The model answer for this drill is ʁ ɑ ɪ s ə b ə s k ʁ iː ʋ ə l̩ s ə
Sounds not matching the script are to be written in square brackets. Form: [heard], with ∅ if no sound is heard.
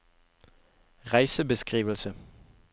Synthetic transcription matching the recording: ʁ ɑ ɪ s ə b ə s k ʁ iː ʋ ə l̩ s ə